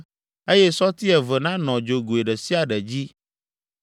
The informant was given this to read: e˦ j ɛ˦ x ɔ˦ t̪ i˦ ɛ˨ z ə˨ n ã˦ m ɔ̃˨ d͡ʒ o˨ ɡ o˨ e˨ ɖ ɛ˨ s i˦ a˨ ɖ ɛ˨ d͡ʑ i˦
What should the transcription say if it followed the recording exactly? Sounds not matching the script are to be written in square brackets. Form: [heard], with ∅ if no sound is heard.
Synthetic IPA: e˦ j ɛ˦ [s] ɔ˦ t̪ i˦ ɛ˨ [v] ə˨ n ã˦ [n] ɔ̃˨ d͡ʒ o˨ ɡ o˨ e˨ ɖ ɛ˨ s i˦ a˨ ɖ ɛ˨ d͡ʑ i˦